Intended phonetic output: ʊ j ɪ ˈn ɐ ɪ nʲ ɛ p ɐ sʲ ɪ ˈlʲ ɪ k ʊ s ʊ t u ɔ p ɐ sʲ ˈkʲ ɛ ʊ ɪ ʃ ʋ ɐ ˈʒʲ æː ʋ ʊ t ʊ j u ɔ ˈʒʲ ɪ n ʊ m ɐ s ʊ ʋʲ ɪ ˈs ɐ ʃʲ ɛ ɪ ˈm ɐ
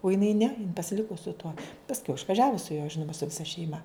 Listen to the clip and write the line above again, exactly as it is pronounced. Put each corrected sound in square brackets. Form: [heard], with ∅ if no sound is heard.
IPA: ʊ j ɪ ˈn ɐ ɪ nʲ ɛ p ɐ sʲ ɪ ˈlʲ ɪ k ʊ s ʊ t u ɔ p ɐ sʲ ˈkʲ ɛ ʊ ɪ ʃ ʋ ɐ ˈʒʲ æː ʋ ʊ [s] ʊ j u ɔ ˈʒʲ ɪ n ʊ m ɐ s ʊ ʋʲ ɪ ˈs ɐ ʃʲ ɛ ɪ ˈm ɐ

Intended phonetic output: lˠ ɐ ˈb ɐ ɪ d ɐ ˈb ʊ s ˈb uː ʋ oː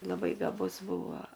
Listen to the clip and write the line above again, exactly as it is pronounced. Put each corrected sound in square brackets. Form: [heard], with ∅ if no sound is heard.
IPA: lˠ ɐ ˈb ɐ ɪ [ɡ] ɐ ˈb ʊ s ˈb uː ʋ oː

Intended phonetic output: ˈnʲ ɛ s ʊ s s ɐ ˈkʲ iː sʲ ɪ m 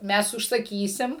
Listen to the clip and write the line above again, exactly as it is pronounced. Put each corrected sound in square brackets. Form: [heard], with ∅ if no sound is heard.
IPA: [ˈmʲ] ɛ s ʊ [ʃ] s ɐ ˈkʲ iː sʲ ɪ m

